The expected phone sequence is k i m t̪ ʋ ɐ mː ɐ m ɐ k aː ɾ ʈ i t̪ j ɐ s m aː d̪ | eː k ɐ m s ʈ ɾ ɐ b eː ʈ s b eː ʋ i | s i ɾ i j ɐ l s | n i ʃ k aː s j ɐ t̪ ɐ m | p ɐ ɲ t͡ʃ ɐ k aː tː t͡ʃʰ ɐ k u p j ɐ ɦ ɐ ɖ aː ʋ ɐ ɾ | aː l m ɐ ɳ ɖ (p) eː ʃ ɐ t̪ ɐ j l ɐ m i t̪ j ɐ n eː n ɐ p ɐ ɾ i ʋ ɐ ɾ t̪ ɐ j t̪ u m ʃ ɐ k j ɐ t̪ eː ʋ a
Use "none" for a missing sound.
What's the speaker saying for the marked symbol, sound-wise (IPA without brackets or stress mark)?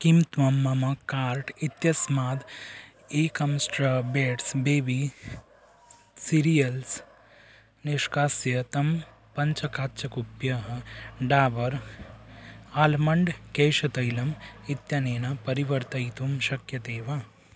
k